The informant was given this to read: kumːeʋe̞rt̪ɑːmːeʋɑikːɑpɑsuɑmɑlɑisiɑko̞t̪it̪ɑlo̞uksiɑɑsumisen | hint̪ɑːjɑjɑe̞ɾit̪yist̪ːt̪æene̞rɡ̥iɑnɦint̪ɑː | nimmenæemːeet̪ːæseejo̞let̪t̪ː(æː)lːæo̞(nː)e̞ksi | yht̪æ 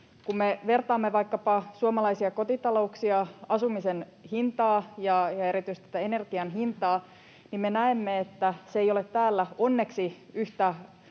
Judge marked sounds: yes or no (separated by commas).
yes, yes